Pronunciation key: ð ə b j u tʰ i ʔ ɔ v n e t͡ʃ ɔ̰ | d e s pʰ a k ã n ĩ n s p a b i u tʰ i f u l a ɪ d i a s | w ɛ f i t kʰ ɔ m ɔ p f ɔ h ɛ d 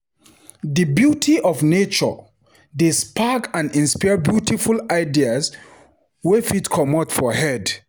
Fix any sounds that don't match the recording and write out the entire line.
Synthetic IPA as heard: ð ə b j u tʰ i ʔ ɔ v n e t͡ʃ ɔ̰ | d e s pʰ a k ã n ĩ n s p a b j u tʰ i f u l a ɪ d i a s | w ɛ f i t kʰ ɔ m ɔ t f ɔ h ɛ d